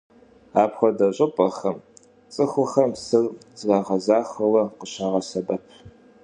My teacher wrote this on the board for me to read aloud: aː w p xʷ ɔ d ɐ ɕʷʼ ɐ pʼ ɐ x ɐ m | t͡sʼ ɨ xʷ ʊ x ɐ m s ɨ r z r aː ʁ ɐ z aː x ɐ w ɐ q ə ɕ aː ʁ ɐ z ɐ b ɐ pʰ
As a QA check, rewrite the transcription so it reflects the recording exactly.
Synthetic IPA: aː p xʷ ɔ d ɐ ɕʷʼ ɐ pʼ ɐ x ɐ m | t͡sʼ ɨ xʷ ʊ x ɐ m s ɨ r z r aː ʁ ɐ z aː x ɐ w ɐ q ə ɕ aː ʁ ɐ s ɐ b ɐ pʰ